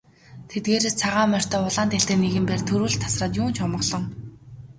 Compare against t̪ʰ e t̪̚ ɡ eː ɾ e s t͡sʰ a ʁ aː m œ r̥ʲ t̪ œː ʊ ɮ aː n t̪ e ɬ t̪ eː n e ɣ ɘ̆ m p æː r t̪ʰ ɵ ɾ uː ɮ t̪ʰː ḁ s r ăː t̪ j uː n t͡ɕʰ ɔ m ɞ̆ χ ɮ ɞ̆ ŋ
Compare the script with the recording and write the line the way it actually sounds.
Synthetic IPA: t̪ʰ e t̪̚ ɡ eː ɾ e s t͡sʰ a ʁ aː m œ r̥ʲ t̪ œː ʊ ɮ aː n t̪ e ɬ t̪ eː n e ɣ ɘ̆ m p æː r t̪ʰ ɵ ɾ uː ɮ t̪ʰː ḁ s r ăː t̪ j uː n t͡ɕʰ ɔ m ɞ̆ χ ɮ ɞ̆ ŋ